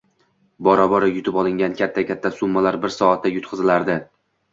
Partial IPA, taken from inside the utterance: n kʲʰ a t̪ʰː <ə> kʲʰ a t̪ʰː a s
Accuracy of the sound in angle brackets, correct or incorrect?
incorrect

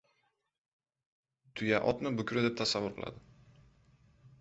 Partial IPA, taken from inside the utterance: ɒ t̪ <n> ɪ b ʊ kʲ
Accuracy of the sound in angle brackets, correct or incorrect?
correct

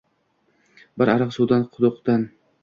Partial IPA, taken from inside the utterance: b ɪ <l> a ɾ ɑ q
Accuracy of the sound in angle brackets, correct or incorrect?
incorrect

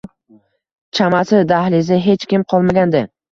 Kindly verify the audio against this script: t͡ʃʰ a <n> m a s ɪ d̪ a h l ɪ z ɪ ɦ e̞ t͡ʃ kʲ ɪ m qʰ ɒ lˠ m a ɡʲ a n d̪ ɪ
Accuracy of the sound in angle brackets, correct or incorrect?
incorrect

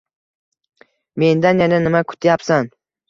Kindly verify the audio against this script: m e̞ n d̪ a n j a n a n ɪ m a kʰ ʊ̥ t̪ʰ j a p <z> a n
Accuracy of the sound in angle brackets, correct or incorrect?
incorrect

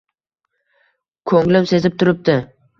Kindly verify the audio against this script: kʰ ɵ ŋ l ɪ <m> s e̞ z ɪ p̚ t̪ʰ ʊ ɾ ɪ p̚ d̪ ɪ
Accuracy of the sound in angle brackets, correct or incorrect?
correct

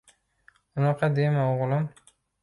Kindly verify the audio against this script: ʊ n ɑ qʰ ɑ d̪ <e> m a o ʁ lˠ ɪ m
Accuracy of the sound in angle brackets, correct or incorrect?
correct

